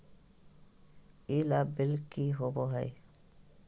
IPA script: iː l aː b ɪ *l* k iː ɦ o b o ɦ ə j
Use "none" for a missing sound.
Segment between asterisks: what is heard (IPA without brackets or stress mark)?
l